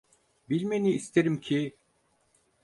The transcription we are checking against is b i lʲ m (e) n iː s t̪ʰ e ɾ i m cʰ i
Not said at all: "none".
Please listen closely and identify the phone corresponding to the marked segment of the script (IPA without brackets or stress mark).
e